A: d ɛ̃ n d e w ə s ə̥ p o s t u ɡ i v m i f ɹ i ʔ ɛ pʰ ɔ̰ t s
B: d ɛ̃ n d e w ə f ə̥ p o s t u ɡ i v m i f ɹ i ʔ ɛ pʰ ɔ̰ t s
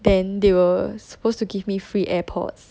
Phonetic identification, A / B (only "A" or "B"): A